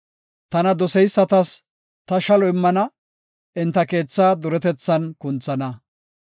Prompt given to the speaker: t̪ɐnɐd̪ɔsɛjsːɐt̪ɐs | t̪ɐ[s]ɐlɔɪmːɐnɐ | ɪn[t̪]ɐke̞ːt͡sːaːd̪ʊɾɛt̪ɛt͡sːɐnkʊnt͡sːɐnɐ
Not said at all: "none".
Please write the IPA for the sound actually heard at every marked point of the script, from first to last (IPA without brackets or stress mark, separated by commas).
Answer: ʃ, t̪